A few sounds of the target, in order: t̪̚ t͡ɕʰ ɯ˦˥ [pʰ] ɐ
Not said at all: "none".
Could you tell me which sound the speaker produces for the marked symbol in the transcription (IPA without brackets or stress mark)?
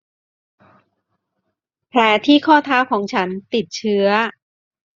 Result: none